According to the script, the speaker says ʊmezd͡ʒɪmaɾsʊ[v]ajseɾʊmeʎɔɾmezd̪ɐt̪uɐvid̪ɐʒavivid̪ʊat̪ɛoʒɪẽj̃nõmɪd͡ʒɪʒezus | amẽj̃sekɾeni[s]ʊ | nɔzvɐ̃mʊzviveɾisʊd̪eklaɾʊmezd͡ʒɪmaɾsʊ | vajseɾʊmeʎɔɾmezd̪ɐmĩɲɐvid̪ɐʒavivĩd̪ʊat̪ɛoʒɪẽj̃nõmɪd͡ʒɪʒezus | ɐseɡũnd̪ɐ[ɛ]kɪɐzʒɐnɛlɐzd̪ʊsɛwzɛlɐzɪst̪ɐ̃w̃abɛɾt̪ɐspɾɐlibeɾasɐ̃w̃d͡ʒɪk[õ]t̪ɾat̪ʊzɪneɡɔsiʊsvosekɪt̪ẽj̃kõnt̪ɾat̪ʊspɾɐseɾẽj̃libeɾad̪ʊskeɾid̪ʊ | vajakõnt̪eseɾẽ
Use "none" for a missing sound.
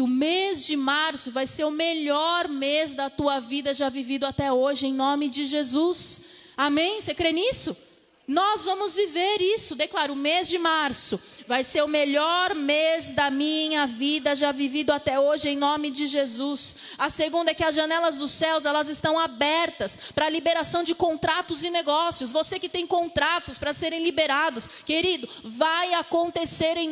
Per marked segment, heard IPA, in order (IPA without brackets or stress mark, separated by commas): v, s, ɛ, õ